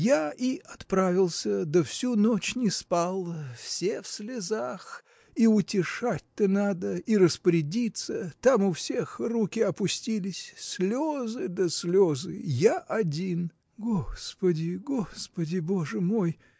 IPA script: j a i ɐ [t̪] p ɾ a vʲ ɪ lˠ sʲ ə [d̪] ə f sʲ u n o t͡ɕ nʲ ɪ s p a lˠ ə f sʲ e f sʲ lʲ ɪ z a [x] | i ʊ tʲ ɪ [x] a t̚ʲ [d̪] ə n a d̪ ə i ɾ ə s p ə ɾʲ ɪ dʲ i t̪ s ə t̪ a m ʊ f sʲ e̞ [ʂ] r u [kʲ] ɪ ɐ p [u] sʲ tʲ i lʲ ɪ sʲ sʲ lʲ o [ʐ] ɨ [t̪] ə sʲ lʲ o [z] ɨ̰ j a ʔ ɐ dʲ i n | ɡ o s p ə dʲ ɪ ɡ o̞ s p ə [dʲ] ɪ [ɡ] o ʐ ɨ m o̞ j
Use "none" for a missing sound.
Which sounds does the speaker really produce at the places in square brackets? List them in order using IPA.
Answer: t̪, d̪, x, ʂ, t̪, x, kʲ, ʊ, z, d̪, z, dʲ, b

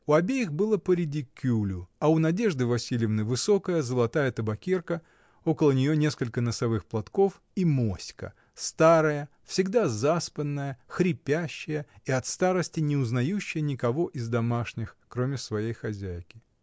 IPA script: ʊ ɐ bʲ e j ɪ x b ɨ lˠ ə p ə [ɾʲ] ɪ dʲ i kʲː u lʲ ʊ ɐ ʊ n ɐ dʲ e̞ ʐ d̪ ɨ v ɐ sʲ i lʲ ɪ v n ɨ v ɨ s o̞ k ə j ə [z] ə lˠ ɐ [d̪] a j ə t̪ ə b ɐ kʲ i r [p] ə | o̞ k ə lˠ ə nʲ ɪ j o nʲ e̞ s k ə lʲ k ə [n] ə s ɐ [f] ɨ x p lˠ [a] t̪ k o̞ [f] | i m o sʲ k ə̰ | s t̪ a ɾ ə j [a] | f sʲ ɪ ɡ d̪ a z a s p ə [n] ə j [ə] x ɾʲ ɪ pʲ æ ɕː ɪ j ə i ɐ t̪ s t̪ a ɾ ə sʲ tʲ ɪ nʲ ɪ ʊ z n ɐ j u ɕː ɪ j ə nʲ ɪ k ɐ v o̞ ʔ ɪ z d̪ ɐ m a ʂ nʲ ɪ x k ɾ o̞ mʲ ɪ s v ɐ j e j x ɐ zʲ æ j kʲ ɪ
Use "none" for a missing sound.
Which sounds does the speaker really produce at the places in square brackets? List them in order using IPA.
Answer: ɾʲ, z, t̪, k, n, v, ɐ, f, ə, nː, ə

